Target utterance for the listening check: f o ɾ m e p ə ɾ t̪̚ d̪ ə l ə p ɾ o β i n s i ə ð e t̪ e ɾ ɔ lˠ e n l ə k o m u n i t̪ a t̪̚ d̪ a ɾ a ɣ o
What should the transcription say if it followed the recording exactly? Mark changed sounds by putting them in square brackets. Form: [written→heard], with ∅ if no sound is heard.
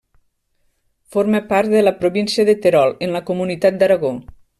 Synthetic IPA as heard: f o ɾ m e p [ə→a] ɾ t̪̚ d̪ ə l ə p ɾ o β i n s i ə ð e t̪ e ɾ ɔ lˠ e n l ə k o m u n i t̪ a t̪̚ d̪ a ɾ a ɣ o